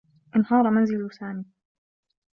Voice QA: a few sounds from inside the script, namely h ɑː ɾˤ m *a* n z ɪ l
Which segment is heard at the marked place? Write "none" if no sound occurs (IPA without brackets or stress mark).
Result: a